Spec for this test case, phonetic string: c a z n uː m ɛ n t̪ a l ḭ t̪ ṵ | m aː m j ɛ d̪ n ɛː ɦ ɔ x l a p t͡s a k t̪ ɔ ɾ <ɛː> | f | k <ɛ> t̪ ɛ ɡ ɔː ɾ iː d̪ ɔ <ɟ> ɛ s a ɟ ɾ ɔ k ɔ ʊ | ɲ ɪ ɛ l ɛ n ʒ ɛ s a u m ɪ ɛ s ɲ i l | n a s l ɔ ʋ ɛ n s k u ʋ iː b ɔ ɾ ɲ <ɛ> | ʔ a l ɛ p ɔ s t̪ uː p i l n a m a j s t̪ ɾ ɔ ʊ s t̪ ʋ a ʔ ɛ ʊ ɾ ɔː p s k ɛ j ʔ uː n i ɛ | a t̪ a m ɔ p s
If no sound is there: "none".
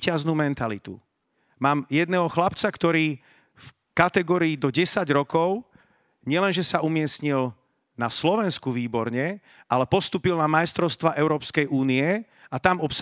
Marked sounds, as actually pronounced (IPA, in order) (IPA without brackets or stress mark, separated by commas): iː, a, ɟ, ɛ